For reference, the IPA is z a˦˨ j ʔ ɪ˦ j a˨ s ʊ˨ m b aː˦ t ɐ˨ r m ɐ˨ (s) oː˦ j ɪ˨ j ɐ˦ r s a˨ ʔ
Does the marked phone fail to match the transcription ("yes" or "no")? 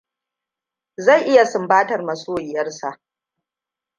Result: no